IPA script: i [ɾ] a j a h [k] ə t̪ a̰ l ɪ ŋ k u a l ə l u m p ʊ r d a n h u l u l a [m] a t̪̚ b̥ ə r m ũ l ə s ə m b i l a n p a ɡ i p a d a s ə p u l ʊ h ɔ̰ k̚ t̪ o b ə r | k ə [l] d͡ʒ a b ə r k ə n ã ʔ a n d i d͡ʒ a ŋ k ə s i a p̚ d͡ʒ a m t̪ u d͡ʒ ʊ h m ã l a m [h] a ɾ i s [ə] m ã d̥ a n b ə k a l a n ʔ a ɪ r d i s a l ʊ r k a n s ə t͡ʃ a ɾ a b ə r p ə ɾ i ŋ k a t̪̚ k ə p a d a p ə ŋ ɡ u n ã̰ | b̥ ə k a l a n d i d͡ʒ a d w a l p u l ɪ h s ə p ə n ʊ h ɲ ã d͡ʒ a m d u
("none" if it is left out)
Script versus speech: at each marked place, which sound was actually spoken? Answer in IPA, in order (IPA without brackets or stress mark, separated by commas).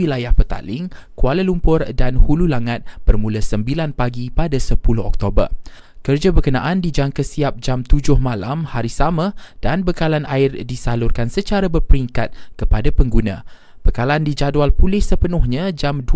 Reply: l, p, ŋ, r, h, a